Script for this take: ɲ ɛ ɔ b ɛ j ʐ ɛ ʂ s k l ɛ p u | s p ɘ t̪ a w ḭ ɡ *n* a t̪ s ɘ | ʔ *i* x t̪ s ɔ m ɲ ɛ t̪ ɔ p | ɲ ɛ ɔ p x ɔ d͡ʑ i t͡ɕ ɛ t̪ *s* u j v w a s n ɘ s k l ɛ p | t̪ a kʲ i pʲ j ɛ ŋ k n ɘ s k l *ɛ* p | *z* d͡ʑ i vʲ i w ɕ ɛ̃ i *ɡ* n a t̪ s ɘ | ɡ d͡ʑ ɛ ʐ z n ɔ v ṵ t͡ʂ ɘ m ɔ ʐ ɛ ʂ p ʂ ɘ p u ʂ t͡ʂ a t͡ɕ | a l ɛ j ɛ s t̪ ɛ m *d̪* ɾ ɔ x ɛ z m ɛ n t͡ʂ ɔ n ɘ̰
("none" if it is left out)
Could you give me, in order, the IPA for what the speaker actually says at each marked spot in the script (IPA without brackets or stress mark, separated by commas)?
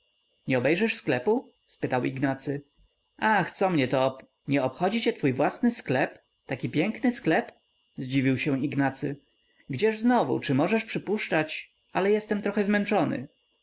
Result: n, a, f, ɛ, z, ɡ, t̪